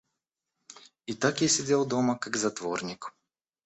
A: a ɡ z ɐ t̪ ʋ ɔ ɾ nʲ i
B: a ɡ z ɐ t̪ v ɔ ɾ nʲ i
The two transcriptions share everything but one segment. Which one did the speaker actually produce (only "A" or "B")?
B